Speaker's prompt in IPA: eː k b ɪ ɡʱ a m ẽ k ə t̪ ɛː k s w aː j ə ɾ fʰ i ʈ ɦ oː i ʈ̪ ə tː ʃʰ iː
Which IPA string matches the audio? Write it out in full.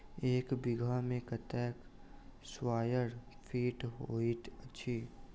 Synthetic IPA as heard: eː k b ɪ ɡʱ a m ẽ k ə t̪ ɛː k s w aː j ə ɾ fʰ iː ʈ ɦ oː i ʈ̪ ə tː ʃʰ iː